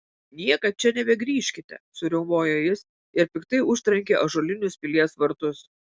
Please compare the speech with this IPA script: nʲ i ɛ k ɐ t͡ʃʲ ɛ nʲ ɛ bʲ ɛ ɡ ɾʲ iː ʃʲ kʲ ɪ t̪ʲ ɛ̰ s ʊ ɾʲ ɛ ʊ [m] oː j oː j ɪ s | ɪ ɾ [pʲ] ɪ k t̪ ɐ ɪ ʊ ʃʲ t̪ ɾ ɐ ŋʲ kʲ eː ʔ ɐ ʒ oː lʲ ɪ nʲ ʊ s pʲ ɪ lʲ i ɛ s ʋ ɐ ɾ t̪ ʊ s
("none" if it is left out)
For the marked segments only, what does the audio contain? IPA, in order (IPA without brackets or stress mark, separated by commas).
m, pʲ